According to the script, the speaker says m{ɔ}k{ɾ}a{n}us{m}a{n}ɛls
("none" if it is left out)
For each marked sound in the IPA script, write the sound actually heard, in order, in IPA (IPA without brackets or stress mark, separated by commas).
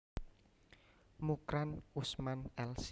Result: u, ɾ, n, m, n